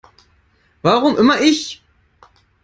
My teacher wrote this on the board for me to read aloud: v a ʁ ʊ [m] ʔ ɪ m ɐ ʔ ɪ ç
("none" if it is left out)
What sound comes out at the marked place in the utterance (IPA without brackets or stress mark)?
m